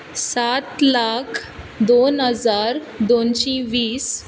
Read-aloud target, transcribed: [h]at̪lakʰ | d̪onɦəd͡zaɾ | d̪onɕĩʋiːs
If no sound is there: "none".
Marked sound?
s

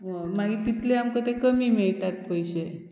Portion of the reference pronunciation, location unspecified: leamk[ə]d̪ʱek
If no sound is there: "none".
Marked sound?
ə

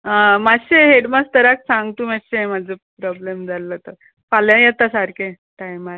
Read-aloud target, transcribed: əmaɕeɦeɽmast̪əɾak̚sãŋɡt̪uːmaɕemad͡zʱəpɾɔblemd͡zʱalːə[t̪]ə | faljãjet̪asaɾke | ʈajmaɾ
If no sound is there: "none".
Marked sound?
t̪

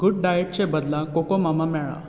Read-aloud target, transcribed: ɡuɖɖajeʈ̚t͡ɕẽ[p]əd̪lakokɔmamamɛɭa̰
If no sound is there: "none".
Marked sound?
b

